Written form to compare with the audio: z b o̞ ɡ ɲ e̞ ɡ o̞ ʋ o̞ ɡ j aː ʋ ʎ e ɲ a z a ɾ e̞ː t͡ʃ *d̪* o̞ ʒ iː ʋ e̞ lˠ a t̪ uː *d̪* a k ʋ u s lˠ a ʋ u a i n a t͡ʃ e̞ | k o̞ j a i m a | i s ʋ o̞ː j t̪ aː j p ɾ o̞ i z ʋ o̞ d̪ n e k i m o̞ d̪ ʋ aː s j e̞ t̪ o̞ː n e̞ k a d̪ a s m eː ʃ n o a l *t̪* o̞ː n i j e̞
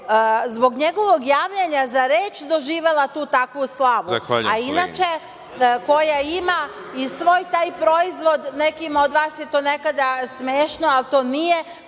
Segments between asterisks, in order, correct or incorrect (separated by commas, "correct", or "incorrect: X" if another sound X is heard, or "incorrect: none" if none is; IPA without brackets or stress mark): correct, incorrect: t̪, correct